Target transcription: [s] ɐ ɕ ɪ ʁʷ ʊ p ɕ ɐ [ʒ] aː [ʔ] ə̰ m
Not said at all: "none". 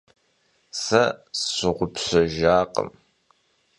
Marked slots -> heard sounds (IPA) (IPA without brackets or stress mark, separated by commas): s, ʒ, q